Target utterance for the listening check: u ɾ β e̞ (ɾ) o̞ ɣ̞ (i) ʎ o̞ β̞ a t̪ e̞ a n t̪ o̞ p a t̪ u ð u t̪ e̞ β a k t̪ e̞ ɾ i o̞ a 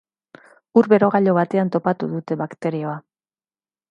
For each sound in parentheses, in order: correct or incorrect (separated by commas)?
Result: correct, incorrect